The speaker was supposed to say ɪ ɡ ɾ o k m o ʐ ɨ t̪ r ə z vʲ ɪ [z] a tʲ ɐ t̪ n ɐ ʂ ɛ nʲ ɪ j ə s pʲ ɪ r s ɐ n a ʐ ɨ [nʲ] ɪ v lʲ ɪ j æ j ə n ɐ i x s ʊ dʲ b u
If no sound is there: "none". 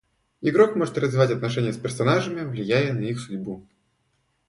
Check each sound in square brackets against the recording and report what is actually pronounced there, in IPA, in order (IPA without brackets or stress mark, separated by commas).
v, mʲ